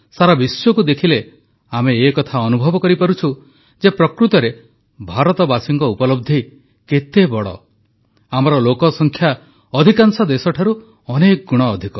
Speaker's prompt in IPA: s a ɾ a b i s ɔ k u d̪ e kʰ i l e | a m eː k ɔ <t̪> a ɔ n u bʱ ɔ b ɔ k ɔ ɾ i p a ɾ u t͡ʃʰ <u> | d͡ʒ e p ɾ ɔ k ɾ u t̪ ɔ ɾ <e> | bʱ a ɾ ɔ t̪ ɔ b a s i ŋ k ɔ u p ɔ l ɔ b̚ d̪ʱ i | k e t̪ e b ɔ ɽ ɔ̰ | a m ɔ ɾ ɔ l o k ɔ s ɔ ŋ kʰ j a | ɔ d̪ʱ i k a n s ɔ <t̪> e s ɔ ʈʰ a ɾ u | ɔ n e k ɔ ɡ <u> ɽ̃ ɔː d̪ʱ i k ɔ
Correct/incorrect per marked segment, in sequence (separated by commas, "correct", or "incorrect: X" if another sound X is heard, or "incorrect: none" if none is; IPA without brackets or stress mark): incorrect: t̪ʰ, correct, correct, incorrect: d̪, correct